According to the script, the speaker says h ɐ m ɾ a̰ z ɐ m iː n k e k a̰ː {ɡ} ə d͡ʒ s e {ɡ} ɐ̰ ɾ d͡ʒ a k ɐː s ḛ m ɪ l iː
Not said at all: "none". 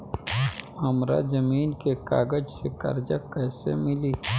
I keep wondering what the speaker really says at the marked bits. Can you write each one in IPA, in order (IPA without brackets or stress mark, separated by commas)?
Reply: ɡ, k